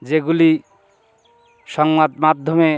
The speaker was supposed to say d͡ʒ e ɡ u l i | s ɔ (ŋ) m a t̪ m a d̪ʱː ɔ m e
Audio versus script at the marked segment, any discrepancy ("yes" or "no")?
no